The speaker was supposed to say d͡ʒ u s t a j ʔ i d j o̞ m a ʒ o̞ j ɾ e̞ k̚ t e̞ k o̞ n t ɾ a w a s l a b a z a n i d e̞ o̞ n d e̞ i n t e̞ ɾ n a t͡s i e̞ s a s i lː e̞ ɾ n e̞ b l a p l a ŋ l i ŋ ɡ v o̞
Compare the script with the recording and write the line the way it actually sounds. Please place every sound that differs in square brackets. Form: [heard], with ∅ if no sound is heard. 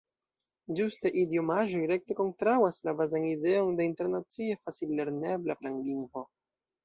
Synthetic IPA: d͡ʒ u s t a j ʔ i d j o̞ m a ʒ o̞ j ɾ e̞ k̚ t e̞ k o̞ n t ɾ a w a s l a b a z a n i d e̞ o̞ n d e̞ i n t e̞ ɾ n a t͡s i e̞ [f] a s i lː e̞ ɾ n e̞ b l a p l a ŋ l i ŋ ɡ v o̞